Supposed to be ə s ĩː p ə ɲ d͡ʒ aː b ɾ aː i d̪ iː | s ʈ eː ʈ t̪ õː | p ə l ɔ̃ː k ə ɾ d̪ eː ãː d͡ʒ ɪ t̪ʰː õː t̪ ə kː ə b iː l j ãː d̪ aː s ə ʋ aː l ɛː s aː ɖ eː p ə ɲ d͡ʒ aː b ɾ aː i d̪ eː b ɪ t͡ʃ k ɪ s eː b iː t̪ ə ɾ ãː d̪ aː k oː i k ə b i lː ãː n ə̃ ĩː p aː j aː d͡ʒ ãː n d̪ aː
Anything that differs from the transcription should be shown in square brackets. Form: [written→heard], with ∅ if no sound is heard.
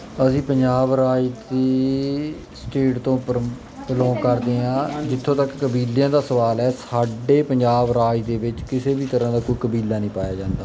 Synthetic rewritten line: ə s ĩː p ə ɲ d͡ʒ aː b ɾ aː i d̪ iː | s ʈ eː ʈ t̪ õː | p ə l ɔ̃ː k ə ɾ d̪ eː ãː d͡ʒ ɪ t̪ʰː õː t̪ ə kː ə b iː l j ãː d̪ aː s ə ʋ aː l ɛː s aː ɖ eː p ə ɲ d͡ʒ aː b ɾ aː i d̪ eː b ɪ t͡ʃ k ɪ s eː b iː t̪ ə ɾ ãː d̪ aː k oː i k ə b [i→iː] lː [ãː→aː] n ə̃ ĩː p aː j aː d͡ʒ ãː n d̪ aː